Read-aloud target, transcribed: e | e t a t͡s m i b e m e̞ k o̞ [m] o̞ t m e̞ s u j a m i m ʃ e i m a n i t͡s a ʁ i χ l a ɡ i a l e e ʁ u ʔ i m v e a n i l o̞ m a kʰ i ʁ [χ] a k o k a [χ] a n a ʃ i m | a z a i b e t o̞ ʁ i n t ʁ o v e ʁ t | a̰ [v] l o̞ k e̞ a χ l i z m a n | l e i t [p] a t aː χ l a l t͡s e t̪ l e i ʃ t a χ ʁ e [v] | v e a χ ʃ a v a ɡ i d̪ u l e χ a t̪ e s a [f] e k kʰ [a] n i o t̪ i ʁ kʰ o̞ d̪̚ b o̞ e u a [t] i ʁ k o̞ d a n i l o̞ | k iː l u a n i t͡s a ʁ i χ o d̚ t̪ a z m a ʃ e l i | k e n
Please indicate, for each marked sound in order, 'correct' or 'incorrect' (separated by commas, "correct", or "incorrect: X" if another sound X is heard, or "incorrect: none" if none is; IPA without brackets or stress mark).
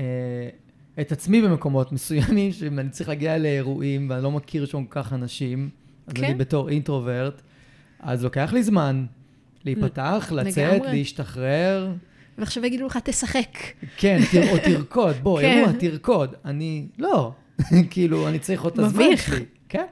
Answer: correct, incorrect: ʃ, correct, incorrect: z, correct, incorrect: ʁ, incorrect: χ, incorrect: e, correct